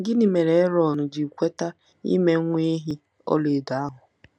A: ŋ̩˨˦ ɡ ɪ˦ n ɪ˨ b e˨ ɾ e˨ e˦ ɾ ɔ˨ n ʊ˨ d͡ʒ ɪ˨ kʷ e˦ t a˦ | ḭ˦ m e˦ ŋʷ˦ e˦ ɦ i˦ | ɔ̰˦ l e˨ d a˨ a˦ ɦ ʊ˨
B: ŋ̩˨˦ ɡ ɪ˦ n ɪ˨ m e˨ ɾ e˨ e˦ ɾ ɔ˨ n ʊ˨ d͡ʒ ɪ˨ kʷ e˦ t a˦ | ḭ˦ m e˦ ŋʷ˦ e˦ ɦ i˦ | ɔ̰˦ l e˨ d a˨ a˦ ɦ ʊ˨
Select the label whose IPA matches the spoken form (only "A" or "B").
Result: B